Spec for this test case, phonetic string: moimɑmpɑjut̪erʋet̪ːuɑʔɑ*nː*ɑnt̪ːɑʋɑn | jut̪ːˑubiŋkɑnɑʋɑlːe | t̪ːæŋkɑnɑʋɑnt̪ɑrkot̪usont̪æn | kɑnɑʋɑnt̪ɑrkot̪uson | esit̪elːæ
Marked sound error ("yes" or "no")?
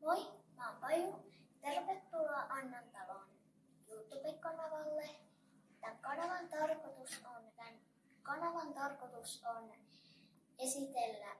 no